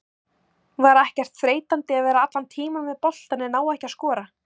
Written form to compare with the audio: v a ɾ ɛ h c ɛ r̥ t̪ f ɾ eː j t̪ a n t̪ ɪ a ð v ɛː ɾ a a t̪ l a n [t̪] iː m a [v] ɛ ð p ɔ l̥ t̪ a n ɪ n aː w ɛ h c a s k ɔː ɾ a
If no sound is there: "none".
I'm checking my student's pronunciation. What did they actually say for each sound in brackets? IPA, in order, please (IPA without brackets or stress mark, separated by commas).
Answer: t̪ʰ, v